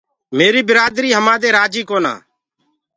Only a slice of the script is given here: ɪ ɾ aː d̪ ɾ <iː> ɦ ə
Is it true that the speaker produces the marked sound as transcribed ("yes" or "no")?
yes